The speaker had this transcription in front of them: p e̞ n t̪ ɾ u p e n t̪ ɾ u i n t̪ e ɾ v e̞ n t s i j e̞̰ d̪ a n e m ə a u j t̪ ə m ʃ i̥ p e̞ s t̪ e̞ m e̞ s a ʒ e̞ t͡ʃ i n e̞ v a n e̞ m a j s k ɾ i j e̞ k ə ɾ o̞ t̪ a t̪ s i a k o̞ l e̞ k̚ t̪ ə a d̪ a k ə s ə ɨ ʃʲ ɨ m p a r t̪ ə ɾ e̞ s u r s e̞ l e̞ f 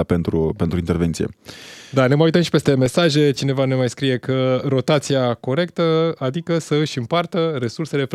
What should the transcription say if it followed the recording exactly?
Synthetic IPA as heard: p e̞ n t̪ ɾ u p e n t̪ ɾ u i n t̪ e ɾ v e̞ n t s i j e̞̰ d̪ a n e m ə a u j t̪ ə m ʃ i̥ p e̞ s t̪ e̞ m e̞ s a ʒ e̞ t͡ʃ i n e̞ v a n e̞ m a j s k ɾ i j e̞ k ə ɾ o̞ t̪ a t̪ s i a k o̞ ɾ e̞ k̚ t̪ ə a d̪ i k ə s ə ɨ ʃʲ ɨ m p a r t̪ ə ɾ e̞ s u r s e̞ l e̞ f